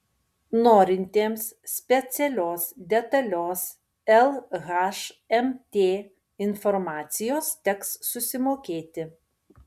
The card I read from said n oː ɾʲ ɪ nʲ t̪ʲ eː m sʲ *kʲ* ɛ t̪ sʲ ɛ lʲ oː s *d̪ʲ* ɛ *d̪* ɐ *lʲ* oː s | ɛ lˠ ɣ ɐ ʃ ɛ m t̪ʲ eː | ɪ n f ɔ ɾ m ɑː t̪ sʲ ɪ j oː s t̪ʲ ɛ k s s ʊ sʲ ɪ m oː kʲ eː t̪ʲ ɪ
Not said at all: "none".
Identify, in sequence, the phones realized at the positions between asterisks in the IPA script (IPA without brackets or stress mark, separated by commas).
pʲ, d̪ʲ, t̪, lʲ